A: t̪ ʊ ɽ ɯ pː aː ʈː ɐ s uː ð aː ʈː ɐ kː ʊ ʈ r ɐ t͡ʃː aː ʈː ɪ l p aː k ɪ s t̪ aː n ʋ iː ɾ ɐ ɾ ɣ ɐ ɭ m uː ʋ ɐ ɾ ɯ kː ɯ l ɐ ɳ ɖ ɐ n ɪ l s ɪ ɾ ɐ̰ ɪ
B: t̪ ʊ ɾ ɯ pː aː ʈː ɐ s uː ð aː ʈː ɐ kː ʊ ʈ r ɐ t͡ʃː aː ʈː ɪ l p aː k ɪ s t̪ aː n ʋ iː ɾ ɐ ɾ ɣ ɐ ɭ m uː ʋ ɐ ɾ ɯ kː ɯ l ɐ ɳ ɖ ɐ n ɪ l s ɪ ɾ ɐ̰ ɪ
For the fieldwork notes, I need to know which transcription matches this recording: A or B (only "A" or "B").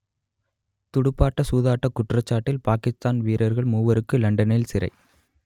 A